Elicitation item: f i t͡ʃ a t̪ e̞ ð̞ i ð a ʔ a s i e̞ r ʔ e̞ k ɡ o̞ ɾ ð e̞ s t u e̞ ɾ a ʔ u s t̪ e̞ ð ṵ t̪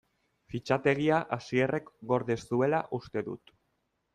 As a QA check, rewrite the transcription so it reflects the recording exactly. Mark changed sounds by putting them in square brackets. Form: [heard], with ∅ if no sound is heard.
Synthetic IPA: f i t͡ʃ a t̪ e̞ [ɣ̞] i [∅] a ʔ a s i e̞ r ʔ e̞ k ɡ o̞ ɾ ð e̞ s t u e̞ [l] a ʔ u s t̪ e̞ ð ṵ t̪

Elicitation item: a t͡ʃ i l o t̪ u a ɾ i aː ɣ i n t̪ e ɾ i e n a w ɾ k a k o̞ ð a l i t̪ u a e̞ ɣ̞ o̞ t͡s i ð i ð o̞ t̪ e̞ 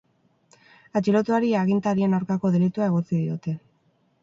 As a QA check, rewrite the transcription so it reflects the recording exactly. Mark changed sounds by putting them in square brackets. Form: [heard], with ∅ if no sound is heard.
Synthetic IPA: a t͡ʃ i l o t̪ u a ɾ i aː ɣ i n t̪ [a] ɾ i e n a w ɾ k a k o̞ ð [e] l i t̪ u a e̞ ɣ̞ o̞ t͡s i ð i [∅] o̞ t̪ e̞

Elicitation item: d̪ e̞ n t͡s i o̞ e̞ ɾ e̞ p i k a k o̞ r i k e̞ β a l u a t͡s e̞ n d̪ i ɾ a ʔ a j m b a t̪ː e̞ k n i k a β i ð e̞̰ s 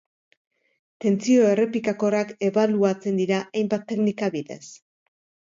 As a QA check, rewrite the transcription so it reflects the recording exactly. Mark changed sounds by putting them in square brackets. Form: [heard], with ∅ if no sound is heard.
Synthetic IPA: [t̪] e̞ n t͡s i o̞ e̞ [r] e̞ p i k a k o̞ r [a] k e̞ β a l u a t͡s e̞ n d̪ i ɾ a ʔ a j m b a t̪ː e̞ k n i k a β i ð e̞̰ s

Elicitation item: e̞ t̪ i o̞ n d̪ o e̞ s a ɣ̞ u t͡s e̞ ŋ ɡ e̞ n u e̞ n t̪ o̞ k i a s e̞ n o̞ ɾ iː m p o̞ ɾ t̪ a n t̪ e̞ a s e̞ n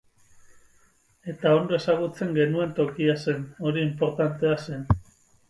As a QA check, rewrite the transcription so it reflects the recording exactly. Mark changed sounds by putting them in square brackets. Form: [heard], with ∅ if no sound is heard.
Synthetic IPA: e̞ t̪ [a] o̞ n d̪ o e̞ s a ɣ̞ u t͡s e̞ ŋ ɡ e̞ n u e̞ n t̪ o̞ k i a s e̞ n o̞ ɾ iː m p o̞ ɾ t̪ a n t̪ e̞ a s e̞ n

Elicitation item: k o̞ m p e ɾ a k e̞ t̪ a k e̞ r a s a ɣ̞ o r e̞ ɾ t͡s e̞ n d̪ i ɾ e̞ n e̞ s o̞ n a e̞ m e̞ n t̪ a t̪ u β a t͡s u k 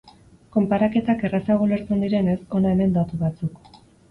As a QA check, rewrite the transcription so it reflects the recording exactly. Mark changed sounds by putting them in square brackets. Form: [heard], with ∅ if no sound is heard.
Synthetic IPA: k o̞ m p [a] ɾ a k e̞ t̪ a k e̞ r a s a ɣ̞ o [l] e̞ ɾ t͡s e̞ n d̪ i ɾ e̞ n e̞ s o̞ n a e̞ m e̞ n [d̪] a t̪ u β a t͡s u k

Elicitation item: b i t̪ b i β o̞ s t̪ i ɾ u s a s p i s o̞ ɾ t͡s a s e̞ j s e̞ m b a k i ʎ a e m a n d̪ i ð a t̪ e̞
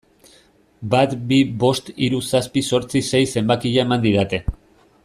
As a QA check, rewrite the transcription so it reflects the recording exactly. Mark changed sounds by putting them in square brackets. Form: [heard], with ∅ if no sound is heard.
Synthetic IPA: b [a] t̪ b i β o̞ s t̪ i ɾ u s a s p i s o̞ ɾ t͡s [i] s e̞ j s e̞ m b a k i ʎ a e m a n d̪ i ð a t̪ e̞

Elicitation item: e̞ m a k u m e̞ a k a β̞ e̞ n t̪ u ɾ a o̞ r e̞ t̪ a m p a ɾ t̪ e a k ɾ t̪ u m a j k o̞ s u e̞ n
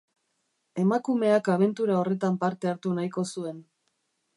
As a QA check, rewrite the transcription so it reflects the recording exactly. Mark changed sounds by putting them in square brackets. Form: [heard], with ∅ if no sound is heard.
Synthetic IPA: e̞ m a k u m e̞ a k a β̞ e̞ n t̪ u ɾ a o̞ r e̞ t̪ a m p a ɾ t̪ e a [∅] ɾ t̪ u [n] a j k o̞ s u e̞ n

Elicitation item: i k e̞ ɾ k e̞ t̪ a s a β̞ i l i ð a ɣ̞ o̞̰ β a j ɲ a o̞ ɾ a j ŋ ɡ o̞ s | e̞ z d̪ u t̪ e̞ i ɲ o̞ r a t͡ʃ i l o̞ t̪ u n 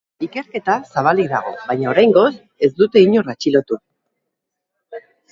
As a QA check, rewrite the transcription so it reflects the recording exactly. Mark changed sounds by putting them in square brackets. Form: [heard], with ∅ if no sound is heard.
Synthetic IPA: i k e̞ ɾ k e̞ t̪ a s a β̞ [a] l i ð a ɣ̞ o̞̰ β a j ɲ a o̞ ɾ a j ŋ ɡ o̞ s | e̞ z d̪ u t̪ e̞ i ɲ o̞ r a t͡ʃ i l o̞ t̪ u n

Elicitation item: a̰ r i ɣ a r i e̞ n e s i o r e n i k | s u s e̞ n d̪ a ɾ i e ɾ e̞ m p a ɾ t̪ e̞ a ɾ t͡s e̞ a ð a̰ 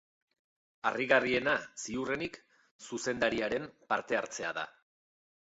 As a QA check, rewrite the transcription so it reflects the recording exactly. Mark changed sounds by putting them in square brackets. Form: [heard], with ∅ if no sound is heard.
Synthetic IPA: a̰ r i ɣ a r i e̞ n [a] s i [u] r e n i k | s u s e̞ n d̪ a ɾ i [a] ɾ e̞ m p a ɾ t̪ e̞ a ɾ t͡s e̞ a ð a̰

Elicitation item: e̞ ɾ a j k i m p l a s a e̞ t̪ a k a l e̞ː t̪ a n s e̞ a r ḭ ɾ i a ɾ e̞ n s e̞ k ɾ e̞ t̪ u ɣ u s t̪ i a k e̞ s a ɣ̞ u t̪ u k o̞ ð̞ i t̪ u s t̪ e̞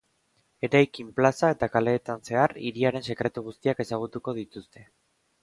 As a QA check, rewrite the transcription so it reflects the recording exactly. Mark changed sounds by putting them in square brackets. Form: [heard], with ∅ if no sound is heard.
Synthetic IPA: e̞ ɾ a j k i m p l a s a e̞ t̪ a k a l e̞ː t̪ a n s e̞ a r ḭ ɾ i a ɾ e̞ n s e̞ k ɾ e̞ t̪ u ɣ u s t̪ i a k e̞ s a ɣ̞ u t̪ u k o̞ ð̞ i t̪ u s t̪ e̞

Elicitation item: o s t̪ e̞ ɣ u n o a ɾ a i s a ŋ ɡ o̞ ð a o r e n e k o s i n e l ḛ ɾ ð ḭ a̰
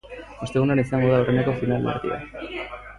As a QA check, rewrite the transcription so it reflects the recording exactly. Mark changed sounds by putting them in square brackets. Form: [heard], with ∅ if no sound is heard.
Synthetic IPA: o s t̪ e̞ ɣ u n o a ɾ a i s a ŋ ɡ o̞ ð a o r e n e k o [f] i n [a] l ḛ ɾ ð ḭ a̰

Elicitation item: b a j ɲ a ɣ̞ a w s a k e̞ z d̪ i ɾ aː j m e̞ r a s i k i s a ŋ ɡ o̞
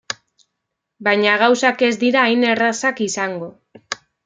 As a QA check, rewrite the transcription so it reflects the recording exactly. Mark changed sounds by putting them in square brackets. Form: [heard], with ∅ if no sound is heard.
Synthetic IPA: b a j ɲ a ɣ̞ a w s a k e̞ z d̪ i ɾ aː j [n] e̞ r a s [a] k i s a ŋ ɡ o̞

